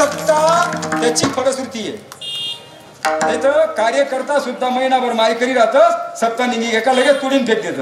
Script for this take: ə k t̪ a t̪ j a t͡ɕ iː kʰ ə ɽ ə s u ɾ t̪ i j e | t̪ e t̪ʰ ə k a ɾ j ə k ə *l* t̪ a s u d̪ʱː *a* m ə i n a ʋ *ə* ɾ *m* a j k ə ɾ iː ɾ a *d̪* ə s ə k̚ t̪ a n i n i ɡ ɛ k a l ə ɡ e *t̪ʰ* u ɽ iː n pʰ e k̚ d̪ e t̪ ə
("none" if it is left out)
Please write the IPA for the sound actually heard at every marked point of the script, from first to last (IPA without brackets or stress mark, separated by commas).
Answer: ɾ, a, ə, m, t̪, t̪